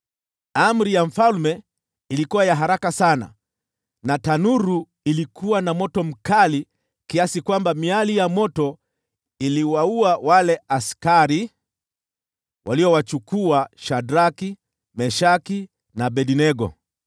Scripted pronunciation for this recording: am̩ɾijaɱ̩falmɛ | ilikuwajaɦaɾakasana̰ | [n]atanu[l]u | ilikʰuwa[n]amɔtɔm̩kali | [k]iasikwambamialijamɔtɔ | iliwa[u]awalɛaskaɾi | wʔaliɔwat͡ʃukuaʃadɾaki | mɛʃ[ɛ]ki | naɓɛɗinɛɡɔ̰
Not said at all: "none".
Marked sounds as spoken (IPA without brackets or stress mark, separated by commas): n, ɾ, n, k, u, a